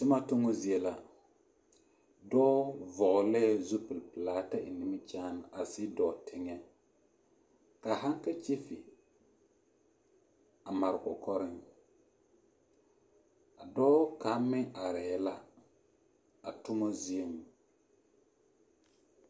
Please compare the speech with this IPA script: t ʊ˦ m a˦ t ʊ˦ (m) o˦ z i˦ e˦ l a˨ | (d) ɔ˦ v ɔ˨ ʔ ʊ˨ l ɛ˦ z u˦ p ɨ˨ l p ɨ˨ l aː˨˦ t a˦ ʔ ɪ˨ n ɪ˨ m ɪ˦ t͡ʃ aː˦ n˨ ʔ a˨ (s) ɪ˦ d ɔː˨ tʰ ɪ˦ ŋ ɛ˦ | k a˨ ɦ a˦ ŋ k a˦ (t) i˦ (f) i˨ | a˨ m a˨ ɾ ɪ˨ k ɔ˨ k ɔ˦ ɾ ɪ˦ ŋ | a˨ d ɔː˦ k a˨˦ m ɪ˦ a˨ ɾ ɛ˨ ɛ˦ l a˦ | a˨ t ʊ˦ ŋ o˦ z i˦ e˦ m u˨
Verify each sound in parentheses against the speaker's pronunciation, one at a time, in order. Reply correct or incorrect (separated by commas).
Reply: incorrect, correct, correct, incorrect, correct